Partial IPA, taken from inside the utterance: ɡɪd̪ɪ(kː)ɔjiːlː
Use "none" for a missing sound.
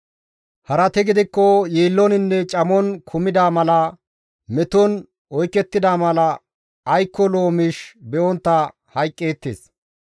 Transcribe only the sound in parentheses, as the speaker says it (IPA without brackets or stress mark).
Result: kː